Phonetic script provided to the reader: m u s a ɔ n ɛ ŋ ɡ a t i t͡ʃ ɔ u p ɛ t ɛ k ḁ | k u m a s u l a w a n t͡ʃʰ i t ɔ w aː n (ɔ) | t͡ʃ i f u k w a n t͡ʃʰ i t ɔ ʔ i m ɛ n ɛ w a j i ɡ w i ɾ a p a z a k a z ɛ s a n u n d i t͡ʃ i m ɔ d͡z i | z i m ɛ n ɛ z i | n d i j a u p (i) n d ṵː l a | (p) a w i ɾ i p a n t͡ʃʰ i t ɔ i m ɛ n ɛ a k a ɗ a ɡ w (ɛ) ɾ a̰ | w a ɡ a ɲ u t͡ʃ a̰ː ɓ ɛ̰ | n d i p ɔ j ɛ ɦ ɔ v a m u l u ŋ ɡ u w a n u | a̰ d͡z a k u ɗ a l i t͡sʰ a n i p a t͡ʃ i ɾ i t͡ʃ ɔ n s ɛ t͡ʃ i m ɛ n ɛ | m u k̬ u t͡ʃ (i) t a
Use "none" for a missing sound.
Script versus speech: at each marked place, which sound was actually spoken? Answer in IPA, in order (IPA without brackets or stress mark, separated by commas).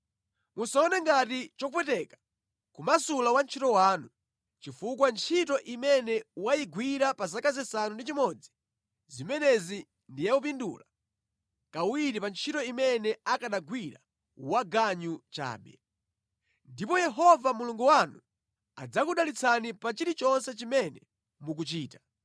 u, i, k, i, iː